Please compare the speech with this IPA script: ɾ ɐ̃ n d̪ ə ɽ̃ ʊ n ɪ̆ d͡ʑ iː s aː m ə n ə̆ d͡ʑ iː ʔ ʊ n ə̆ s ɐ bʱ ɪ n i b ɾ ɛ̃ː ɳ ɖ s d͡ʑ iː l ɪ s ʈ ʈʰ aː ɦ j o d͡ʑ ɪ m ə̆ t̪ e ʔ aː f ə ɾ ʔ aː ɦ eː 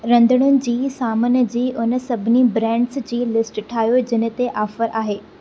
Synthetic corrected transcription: ɾ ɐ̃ n d̪ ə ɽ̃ ʊ n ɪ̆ d͡ʑ iː s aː m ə n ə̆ d͡ʑ iː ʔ ʊ n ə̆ s ɐ bʱ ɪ n i b ɾ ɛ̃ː ɳ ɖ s d͡ʑ iː l ɪ s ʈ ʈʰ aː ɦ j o d͡ʑ ɪ n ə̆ t̪ e ʔ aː f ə ɾ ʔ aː ɦ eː